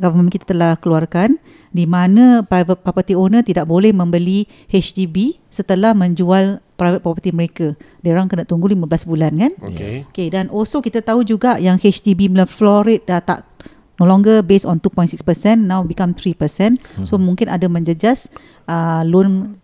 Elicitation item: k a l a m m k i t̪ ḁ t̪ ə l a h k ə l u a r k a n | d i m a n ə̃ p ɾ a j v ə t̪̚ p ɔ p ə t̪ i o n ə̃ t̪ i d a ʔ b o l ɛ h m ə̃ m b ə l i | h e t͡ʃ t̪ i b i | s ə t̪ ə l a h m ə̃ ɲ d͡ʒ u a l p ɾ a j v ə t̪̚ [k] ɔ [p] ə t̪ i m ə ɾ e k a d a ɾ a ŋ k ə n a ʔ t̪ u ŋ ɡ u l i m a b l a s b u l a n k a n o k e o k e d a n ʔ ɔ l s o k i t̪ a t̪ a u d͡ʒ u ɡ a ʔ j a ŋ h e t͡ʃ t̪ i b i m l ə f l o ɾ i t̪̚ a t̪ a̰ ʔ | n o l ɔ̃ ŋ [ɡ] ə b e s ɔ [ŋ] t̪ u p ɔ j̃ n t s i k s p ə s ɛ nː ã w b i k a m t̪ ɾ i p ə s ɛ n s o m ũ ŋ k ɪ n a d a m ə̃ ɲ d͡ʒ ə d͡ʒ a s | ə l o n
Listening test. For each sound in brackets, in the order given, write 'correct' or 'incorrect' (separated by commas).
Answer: incorrect, correct, correct, incorrect